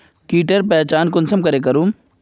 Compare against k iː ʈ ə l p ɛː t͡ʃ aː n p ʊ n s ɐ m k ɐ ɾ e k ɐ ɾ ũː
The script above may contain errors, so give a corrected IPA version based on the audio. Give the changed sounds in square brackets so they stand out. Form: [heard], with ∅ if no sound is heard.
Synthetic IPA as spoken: k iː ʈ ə [ɾ] p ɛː t͡ʃ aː n [k] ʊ n s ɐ m k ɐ ɾ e k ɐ ɾ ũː